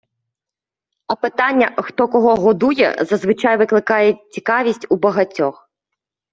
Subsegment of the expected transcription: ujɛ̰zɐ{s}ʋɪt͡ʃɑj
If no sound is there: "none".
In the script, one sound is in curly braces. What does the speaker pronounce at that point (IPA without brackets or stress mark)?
z